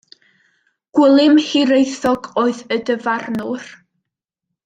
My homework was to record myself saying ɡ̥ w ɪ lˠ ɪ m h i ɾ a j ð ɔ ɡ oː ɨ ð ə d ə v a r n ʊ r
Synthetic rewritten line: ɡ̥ w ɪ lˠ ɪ m h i ɾ e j θ ɔ ɡ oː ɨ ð ə d ə v a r n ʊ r